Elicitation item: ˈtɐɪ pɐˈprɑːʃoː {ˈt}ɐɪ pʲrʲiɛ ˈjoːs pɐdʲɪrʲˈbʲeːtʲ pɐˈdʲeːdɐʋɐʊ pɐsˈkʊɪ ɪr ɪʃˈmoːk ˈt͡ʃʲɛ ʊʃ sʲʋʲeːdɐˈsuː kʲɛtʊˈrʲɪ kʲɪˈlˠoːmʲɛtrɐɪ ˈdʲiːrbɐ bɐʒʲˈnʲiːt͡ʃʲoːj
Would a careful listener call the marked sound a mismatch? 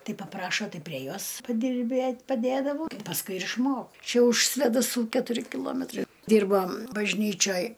no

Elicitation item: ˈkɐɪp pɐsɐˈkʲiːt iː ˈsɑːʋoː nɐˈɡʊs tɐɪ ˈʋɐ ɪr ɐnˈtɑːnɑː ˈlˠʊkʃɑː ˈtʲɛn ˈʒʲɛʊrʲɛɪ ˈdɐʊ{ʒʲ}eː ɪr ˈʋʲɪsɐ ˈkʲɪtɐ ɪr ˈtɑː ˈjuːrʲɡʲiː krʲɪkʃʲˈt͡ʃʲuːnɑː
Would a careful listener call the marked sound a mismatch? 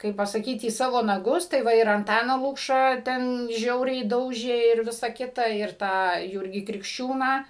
no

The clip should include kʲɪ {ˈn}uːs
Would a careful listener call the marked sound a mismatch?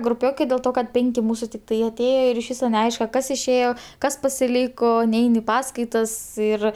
yes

